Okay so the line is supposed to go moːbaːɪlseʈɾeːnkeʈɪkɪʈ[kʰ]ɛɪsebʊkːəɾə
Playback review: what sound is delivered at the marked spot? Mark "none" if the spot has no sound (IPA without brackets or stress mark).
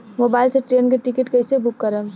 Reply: k